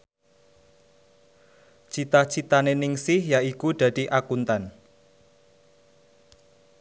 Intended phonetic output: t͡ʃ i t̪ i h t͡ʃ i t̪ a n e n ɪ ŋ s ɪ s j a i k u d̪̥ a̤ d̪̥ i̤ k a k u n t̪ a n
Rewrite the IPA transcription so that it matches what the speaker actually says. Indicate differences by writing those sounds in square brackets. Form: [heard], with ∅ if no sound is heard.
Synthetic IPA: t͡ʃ i t̪ [a] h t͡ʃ i t̪ a n e n ɪ ŋ s ɪ [h] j a i k u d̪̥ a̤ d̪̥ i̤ [ʔ] a k u n t̪ a n

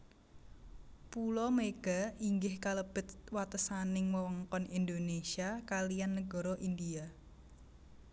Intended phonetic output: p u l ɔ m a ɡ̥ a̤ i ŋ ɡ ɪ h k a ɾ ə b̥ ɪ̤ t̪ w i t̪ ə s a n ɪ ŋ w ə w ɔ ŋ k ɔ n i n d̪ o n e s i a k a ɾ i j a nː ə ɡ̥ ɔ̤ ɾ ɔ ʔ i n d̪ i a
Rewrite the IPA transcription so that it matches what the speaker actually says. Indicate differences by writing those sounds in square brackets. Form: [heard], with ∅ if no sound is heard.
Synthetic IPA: p u l ɔ m [e] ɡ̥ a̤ i ŋ ɡ ɪ h k a [l] ə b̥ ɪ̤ t̪ w [a] t̪ ə s a n ɪ ŋ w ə w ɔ ŋ k ɔ n i n d̪ o n e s i a k a [l] i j a nː ə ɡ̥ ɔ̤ ɾ ɔ ʔ i n d̪ i a

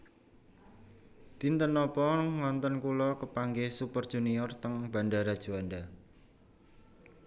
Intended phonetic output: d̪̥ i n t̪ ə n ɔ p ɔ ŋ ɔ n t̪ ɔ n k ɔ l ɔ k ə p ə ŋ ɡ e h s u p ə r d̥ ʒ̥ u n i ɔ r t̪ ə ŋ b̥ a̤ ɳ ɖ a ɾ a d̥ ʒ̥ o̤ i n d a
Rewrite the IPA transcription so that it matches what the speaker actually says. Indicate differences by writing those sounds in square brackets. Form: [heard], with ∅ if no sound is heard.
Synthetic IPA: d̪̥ i n t̪ ə n ɔ p ɔ ŋ ɔ n t̪ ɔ n k [u] l ɔ k ə p [a] ŋ ɡ e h s u p ə r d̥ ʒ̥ u n i ɔ r t̪ ə ŋ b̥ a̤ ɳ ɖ a ɾ a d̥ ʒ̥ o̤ [a] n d a

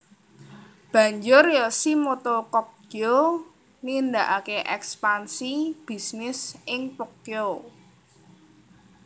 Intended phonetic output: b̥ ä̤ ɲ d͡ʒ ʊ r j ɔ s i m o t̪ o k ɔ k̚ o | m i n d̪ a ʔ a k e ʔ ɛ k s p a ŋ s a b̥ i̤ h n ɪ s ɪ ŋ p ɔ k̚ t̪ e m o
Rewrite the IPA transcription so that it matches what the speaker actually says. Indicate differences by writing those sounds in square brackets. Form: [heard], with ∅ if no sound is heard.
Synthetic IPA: b̥ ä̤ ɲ d͡ʒ ʊ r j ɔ s i m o t̪ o k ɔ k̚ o | [n] i n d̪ a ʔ a k e ʔ ɛ k s p a [n] s [i] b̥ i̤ [s] n ɪ s ɪ ŋ p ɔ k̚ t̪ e [∅] o

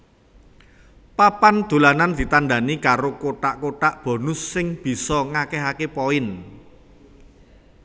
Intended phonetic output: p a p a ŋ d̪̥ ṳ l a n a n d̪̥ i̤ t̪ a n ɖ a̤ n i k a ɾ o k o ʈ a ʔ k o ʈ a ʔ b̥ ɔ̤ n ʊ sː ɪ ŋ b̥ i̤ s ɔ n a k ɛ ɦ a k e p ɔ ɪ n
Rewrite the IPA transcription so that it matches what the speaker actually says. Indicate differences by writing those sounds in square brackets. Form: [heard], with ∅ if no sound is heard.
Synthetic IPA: p a p a [n] d̪̥ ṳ l a n a n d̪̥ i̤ t̪ a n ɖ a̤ n i k a ɾ o k o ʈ a ʔ k o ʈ a ʔ b̥ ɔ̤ n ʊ sː ɪ ŋ b̥ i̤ s ɔ [ŋ] a k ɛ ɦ a k e p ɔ ɪ n

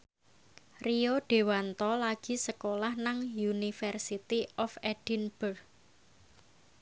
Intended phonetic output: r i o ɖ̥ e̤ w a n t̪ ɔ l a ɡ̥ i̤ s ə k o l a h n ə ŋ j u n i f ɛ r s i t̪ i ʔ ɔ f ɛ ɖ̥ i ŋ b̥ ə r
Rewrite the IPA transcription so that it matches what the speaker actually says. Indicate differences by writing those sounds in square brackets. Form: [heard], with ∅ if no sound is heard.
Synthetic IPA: r i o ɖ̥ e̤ w a n t̪ ɔ l a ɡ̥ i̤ s ə k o l a h n [a] ŋ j u n i f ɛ r s i t̪ i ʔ ɔ f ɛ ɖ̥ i [n] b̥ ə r

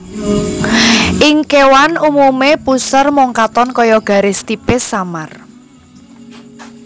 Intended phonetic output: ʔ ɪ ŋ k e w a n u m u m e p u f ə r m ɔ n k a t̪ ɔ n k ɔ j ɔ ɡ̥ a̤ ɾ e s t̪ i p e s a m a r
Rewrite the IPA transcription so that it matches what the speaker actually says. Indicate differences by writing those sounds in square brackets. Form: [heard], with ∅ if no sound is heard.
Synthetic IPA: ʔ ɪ ŋ k e w a n u m u m e p u [s] ə r m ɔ [ŋ] k a t̪ ɔ n k ɔ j ɔ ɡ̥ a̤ ɾ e s t̪ i p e s a m a r

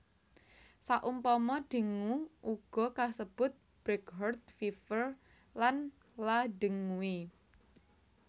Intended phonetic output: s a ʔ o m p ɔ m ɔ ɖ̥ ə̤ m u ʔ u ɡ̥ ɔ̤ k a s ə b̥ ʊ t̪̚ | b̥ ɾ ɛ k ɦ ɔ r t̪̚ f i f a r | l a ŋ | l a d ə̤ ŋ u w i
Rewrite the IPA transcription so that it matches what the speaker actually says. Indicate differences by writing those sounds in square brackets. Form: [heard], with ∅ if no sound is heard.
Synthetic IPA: s a ʔ [u] m p ɔ m ɔ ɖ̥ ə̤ [ŋ] u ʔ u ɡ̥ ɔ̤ k a s ə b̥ ʊ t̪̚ | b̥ ɾ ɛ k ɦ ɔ r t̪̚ f i f [ə] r | l a [n] | l a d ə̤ ŋ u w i

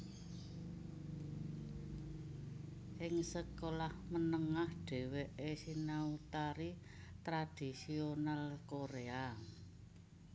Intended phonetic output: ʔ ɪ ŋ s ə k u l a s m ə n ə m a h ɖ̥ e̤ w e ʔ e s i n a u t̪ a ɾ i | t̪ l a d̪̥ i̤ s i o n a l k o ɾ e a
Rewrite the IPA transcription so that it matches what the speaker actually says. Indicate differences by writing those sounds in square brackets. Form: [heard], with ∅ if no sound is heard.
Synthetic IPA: ʔ ɪ ŋ s ə k [o] l a [h] m ə n ə [ŋ] a h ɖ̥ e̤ w e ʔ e s i n a u t̪ a ɾ i | t̪ [ɾ] a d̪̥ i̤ s i o n a l k o ɾ e a

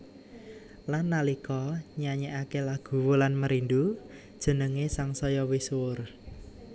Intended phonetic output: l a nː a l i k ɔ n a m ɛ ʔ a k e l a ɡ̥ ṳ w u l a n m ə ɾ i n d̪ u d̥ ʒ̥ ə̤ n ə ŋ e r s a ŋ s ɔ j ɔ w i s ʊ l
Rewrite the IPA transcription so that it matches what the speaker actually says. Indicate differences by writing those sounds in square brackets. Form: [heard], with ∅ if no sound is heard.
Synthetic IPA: l a nː a l i k ɔ [ɲ] a [ɲ] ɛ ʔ a k e l a ɡ̥ ṳ w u l a n m ə ɾ i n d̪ u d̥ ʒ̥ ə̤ n ə ŋ e [∅] s a ŋ s ɔ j ɔ w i s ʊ [r]

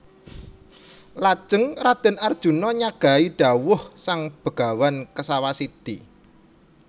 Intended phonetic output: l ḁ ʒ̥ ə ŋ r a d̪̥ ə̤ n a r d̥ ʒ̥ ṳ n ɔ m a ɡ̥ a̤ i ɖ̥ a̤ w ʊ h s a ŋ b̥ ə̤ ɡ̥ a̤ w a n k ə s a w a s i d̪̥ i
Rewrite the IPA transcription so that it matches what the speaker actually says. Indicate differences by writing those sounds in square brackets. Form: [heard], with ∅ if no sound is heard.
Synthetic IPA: l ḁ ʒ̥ ə ŋ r a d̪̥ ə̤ n a r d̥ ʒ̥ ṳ n ɔ [ɲ] a ɡ̥ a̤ i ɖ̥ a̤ w ʊ h s a ŋ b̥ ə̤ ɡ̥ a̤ w a n k ə s a w a s i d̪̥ i

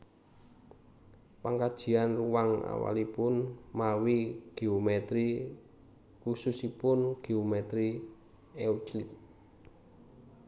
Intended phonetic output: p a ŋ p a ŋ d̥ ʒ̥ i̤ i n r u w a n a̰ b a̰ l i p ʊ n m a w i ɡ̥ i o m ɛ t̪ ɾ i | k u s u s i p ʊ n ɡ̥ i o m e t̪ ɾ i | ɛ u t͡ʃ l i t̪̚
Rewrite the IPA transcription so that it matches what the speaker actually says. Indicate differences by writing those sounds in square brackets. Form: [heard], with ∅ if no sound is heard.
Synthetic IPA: p a ŋ [k] a [∅] d̥ ʒ̥ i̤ [a] n r u w a [ŋ] a̰ [w] a̰ l i p ʊ n m a w i ɡ̥ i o m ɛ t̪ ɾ i | k u s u s i p ʊ n ɡ̥ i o m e t̪ ɾ i | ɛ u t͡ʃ l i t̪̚

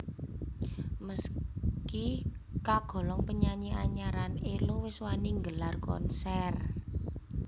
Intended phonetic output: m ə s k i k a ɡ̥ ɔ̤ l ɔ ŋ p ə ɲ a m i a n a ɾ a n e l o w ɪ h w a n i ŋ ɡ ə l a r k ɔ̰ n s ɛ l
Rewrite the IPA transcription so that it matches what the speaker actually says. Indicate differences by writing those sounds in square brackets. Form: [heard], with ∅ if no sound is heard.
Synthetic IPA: m ə s k i k a ɡ̥ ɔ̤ l ɔ ŋ p ə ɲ a [ɲ] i a [ɲ] a ɾ a n e l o w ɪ [s] w a n i ŋ ɡ ə l a r k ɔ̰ n s ɛ [r]

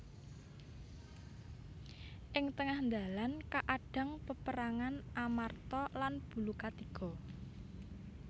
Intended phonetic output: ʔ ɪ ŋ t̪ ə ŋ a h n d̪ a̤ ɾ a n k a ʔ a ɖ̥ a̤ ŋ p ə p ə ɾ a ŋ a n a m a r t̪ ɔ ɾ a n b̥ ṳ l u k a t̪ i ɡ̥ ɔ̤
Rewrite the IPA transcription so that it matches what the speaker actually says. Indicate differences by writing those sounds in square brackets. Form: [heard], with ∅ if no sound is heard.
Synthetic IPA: ʔ ɪ ŋ t̪ ə ŋ a h n d̪ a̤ [l] a n k a ʔ a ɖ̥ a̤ ŋ p ə p ə ɾ a ŋ a n a m a r t̪ ɔ [l] a n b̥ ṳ l u k a t̪ i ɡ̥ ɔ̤

